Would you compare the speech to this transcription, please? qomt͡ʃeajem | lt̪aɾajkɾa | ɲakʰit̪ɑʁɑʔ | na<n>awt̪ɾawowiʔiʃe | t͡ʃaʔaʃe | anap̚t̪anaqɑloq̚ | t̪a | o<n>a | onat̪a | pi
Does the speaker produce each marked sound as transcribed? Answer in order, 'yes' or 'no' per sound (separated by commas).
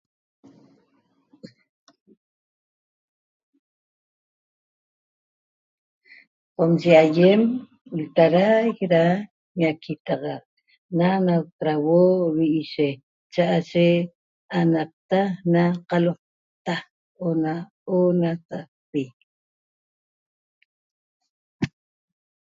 yes, yes